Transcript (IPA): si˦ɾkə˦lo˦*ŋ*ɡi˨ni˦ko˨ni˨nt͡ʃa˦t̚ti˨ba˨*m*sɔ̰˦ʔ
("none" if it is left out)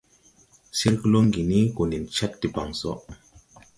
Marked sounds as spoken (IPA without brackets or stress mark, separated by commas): ŋ, ŋ